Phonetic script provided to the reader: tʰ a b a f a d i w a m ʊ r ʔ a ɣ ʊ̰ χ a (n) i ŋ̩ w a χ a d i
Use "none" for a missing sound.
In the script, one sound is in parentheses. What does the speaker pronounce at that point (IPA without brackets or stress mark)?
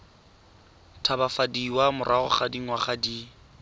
d